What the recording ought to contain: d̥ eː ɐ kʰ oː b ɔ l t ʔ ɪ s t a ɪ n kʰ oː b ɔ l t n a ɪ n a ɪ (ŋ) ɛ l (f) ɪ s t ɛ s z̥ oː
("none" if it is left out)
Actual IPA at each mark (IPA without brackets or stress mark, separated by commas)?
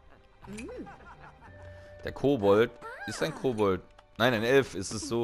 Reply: n, f